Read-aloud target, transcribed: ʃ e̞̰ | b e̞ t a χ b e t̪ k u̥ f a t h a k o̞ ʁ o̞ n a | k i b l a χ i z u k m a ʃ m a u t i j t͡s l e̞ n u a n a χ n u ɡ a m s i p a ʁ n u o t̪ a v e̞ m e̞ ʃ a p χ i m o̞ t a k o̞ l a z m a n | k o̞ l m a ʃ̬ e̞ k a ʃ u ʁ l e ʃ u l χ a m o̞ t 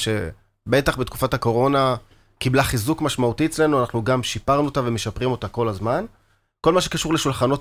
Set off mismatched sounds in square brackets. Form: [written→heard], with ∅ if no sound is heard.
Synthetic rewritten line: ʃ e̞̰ | b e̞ t a χ b e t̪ k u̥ f a t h a k o̞ ʁ o̞ n a | k i b l a χ i z u k m a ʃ m a u t i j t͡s l e̞ n u a n a χ n u ɡ a m [s→ʃ] i p a ʁ n u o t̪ a v e̞ m e̞ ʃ a p [χ→ʁ] i m o̞ t a k o̞ l a z m a n | k o̞ l m a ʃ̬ e̞ k a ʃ u ʁ l e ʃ u l χ a [m→n] o̞ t